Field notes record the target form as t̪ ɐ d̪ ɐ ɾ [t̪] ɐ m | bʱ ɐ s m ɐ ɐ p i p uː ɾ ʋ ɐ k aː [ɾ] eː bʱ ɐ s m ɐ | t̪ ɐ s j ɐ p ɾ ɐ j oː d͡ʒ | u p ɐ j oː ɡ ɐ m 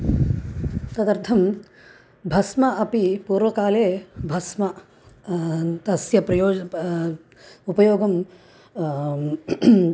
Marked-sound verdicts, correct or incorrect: incorrect, incorrect

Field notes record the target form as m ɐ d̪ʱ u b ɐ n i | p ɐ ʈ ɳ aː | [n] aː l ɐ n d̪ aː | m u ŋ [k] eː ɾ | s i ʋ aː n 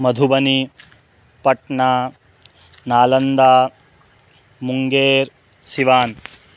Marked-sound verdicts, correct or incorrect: correct, incorrect

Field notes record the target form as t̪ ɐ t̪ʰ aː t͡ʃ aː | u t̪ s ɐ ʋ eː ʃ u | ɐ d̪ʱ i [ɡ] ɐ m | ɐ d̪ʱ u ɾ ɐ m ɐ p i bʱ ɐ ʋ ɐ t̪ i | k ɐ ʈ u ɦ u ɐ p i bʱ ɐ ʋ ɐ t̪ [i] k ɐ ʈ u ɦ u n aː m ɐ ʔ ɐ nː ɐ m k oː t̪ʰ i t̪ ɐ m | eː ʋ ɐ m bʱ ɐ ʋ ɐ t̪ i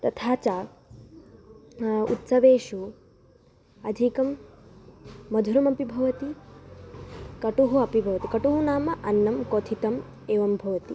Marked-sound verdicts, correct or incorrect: incorrect, correct

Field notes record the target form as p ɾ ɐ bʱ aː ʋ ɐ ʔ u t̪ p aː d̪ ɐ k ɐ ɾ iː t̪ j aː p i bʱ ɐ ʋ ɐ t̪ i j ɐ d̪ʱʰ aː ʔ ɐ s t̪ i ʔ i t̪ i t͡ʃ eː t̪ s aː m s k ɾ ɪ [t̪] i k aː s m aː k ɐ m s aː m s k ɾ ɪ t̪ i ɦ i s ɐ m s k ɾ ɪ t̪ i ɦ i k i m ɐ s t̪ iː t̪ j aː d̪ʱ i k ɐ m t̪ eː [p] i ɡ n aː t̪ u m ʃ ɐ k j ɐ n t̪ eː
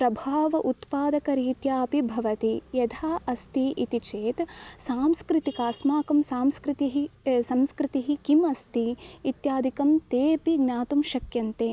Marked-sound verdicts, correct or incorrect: correct, correct

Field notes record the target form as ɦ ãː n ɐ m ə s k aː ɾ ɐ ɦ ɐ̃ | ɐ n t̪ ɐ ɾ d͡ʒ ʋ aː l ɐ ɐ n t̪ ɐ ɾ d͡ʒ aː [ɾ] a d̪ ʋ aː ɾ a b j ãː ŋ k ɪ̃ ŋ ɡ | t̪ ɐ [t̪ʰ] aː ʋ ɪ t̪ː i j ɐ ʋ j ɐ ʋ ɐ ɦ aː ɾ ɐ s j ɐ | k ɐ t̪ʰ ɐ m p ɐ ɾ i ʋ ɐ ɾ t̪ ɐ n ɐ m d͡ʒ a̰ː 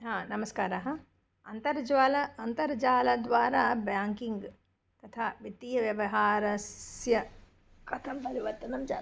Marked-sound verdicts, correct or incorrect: incorrect, correct

